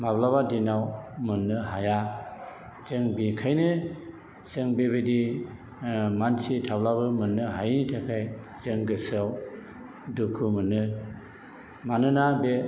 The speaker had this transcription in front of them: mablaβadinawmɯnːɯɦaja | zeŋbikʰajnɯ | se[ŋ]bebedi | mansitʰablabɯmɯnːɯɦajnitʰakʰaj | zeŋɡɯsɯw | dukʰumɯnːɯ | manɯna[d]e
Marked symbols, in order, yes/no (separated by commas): yes, no